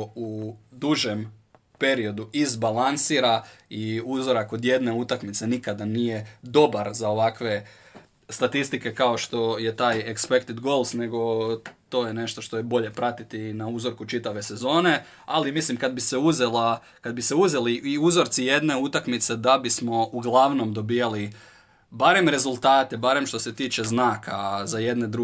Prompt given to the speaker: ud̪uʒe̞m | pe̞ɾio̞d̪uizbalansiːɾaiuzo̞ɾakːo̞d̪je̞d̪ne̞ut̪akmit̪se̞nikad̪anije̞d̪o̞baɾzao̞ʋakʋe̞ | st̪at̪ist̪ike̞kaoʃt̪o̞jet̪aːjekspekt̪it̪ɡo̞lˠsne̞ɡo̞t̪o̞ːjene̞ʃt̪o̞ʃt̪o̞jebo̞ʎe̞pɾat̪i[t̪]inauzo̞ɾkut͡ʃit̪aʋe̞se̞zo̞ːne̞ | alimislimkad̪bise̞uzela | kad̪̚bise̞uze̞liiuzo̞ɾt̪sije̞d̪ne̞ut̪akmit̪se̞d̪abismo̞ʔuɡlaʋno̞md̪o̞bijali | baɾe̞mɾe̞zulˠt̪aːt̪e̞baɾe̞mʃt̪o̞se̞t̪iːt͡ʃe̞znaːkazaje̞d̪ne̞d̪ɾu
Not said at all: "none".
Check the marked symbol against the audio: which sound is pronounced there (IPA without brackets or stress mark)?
t̪